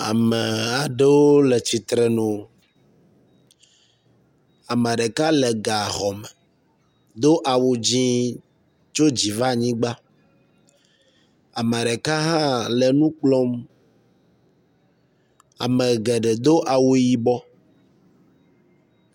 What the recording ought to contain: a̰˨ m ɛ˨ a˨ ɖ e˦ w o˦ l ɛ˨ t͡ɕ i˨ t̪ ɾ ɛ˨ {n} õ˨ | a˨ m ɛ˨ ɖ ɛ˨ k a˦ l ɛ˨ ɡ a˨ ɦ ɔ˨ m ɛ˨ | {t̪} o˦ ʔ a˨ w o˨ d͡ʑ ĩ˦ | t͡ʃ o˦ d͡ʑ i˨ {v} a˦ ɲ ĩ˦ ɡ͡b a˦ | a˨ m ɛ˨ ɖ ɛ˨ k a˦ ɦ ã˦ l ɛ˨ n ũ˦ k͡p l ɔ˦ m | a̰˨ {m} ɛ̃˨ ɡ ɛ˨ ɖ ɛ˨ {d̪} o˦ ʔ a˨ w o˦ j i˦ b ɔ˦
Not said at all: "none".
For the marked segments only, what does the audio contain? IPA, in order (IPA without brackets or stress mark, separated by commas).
n, d̪, v, m, d̪